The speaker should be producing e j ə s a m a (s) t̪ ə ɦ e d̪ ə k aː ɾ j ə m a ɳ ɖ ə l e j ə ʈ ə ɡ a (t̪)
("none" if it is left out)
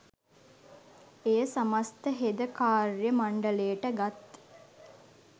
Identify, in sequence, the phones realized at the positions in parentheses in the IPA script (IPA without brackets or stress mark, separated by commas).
s, t̪